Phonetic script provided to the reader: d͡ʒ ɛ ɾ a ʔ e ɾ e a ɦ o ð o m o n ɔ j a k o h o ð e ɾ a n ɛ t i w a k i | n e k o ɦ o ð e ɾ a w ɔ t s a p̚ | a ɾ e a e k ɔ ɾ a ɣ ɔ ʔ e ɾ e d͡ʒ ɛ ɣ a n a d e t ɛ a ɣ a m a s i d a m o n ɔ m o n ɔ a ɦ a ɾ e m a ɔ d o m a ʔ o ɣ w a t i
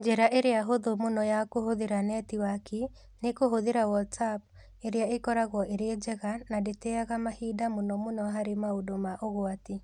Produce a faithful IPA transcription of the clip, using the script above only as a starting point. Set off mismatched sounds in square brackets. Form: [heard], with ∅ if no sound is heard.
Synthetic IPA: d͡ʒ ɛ ɾ a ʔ e ɾ e a ɦ o ð o m o n ɔ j a k o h o ð e ɾ a n ɛ t i w a k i | n e k o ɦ o ð e ɾ a w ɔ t s a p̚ | [e] ɾ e a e k ɔ ɾ a ɣ ɔ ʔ e ɾ e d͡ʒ ɛ ɣ a n a d e t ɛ a ɣ a m a [h] i d a m o n ɔ m o n ɔ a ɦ a ɾ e m a [o] d o m a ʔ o ɣ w a t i